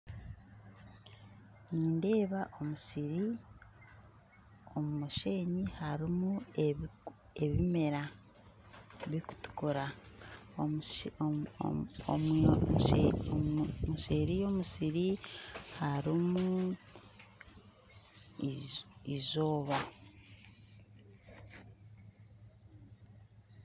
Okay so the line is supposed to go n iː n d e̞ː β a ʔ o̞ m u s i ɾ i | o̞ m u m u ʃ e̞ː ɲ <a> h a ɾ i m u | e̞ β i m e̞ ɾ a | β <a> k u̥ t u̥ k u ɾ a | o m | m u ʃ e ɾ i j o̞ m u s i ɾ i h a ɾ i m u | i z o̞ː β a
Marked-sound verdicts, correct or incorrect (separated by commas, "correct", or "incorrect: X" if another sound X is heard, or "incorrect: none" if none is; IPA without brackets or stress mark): incorrect: i, incorrect: i